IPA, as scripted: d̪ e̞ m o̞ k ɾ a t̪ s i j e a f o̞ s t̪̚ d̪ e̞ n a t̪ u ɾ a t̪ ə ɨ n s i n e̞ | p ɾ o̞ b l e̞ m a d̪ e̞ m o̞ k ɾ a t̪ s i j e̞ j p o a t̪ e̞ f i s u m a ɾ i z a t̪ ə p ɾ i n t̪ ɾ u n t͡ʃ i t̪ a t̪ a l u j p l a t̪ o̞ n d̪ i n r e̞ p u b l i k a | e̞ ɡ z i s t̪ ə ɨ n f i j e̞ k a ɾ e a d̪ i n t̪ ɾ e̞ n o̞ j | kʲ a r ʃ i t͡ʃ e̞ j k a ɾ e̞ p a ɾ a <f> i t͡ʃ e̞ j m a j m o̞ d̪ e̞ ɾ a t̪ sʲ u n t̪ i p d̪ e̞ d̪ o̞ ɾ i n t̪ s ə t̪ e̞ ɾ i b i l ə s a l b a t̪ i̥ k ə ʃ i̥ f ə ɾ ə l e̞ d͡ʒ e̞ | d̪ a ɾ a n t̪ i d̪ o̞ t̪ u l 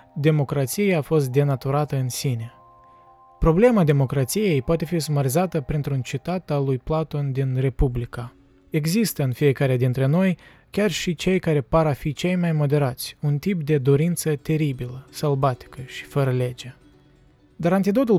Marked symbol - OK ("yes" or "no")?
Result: yes